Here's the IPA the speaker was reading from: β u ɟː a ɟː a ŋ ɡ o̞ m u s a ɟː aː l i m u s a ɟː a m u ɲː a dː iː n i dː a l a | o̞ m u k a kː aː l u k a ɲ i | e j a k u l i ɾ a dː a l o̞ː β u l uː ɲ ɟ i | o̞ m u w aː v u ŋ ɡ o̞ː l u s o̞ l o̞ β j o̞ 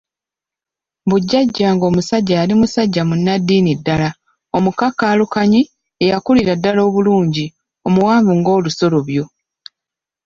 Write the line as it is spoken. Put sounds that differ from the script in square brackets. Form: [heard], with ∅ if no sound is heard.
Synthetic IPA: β u ɟː a ɟː a ŋ ɡ o̞ m u s a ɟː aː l i m u s a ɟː a m u [nː] a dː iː n i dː a l a | o̞ m u k a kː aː l u k a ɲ i | e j a k u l i ɾ a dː a l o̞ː β u l uː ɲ ɟ i | o̞ m u w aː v u ŋ ɡ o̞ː l u s o̞ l o̞ β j o̞